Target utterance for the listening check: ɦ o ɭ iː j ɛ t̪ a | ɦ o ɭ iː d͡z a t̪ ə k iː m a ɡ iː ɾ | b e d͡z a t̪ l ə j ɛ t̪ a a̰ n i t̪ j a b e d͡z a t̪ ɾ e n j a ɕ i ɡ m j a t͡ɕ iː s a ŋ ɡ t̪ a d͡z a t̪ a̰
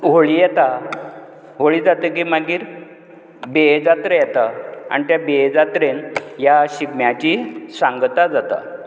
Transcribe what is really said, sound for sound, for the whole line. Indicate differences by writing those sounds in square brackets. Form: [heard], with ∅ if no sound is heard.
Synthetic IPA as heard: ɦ o ɭ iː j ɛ t̪ a | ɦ o ɭ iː d͡z a t̪ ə k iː m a ɡ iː ɾ | b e d͡z a t̪ [ɾ] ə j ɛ t̪ a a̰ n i t̪ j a b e d͡z a t̪ ɾ e n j a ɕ i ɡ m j a t͡ɕ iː s a ŋ ɡ t̪ a d͡z a t̪ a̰